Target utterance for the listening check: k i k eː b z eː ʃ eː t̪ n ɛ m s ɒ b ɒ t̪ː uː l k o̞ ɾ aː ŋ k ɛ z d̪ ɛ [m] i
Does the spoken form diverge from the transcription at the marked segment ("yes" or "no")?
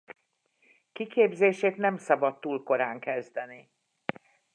yes